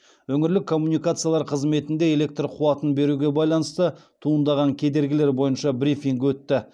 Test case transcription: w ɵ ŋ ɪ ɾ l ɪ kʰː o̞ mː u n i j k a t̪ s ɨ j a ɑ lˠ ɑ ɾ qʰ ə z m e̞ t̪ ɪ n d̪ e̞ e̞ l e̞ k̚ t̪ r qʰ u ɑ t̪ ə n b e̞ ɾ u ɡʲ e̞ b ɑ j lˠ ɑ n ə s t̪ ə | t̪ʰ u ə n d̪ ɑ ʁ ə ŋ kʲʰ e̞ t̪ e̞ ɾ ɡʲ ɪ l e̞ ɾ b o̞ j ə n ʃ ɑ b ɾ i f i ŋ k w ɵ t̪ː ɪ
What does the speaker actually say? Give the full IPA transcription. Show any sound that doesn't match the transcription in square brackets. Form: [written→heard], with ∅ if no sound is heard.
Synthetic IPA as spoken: w ɵ ŋ ɪ ɾ l ɪ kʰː o̞ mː u n i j k a t̪ s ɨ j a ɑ lˠ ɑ ɾ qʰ ə z m e̞ t̪ ɪ n d̪ e̞ e̞ l e̞ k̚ t̪ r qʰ u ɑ t̪ ə n b e̞ ɾ u ɡʲ e̞ b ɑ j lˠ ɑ n ə s t̪ ə | t̪ʰ u ə n d̪ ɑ ʁ [ə→ɑ] ŋ kʲʰ e̞ [t̪→d̪] e̞ ɾ ɡʲ ɪ l e̞ ɾ b o̞ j ə n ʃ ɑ b ɾ i f i ŋ k w ɵ t̪ː ɪ